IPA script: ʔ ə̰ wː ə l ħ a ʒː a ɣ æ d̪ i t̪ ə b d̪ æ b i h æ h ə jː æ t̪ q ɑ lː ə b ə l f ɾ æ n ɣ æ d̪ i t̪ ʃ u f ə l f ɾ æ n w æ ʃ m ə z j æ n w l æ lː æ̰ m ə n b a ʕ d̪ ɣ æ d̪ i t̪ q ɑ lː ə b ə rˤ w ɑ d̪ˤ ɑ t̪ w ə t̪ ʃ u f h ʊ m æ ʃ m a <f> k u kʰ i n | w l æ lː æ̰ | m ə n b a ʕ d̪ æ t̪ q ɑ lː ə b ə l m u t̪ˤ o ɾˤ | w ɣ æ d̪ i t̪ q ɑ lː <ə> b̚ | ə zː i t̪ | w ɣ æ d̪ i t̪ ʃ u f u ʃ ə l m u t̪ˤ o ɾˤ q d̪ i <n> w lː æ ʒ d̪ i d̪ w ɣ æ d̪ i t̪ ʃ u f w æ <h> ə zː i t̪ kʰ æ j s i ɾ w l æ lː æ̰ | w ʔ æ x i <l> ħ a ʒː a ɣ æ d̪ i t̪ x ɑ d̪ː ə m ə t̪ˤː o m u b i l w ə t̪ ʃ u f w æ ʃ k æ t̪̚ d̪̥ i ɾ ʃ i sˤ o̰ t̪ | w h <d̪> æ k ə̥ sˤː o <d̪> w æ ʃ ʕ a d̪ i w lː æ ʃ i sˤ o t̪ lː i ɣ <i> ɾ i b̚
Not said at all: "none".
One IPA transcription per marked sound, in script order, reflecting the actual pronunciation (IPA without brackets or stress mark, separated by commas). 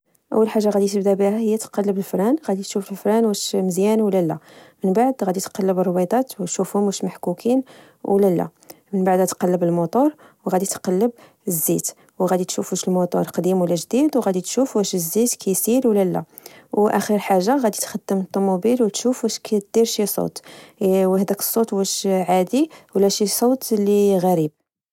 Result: ħ, ə, m, ʃ, ɾ, d̪, t̪, æ